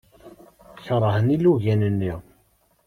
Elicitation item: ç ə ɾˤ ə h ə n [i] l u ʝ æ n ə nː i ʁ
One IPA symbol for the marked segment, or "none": i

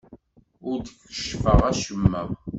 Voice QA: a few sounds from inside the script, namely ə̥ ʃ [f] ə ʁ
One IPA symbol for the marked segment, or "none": f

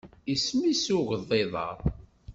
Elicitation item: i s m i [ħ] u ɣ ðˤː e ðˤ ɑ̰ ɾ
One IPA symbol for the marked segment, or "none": s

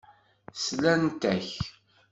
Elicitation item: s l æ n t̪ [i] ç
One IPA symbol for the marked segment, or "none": æ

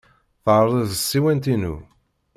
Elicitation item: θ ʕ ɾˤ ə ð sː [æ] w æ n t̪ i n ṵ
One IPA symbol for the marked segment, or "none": i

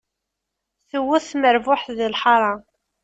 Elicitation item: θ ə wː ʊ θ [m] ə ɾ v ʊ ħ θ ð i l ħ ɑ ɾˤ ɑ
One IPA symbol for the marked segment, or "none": m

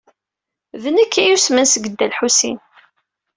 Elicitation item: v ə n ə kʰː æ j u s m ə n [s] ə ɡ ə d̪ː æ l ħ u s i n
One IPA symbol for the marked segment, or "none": s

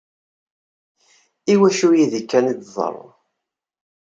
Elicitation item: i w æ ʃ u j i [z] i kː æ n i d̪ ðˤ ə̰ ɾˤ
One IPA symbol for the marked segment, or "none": ð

